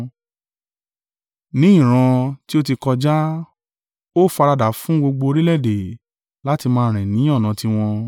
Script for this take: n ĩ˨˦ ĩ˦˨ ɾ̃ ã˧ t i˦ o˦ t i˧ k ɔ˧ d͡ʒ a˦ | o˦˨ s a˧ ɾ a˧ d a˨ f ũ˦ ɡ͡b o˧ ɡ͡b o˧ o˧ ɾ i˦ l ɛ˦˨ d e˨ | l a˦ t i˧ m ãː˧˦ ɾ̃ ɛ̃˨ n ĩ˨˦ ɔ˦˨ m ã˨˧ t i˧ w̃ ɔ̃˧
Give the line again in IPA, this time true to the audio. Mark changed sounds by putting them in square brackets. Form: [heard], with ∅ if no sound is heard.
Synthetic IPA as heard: n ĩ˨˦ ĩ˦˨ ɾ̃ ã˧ t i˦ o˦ t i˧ k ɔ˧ d͡ʒ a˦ | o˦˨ [f] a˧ ɾ a˧ d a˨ f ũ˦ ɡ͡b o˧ ɡ͡b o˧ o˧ ɾ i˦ l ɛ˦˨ d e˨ | l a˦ t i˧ m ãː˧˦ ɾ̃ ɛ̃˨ n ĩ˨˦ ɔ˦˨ [n] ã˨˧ t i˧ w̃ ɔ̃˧